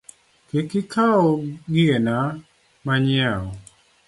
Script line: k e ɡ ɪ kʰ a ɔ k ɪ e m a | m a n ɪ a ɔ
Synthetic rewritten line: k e k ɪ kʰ a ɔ ɡ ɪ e n a | m a ɲ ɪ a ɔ